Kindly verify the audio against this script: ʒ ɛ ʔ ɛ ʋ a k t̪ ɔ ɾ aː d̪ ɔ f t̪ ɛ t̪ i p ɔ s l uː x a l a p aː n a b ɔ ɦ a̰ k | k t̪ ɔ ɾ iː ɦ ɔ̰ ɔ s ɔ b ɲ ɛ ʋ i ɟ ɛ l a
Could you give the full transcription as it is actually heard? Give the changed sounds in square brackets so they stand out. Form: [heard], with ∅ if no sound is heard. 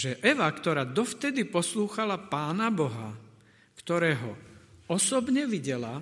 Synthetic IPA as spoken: ʒ ɛ ʔ ɛ ʋ a k t̪ ɔ ɾ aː d̪ ɔ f t̪ ɛ [d̪] i p ɔ s l uː x a l a p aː n a b ɔ ɦ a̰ [∅] | k t̪ ɔ ɾ [ɛː] ɦ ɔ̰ ɔ s ɔ b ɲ ɛ ʋ i ɟ ɛ l a